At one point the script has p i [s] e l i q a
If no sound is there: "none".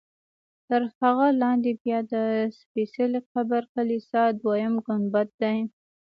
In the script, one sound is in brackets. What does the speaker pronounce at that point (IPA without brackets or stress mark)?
s